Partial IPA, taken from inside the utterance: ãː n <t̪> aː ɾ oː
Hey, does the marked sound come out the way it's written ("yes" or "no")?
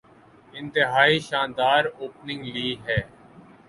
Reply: no